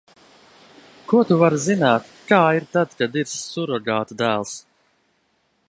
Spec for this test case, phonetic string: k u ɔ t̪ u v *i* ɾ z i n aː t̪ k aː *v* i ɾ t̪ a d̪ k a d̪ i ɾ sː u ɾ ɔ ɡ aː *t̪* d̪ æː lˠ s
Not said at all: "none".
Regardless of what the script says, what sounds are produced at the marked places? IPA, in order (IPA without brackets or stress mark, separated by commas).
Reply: a, none, t̪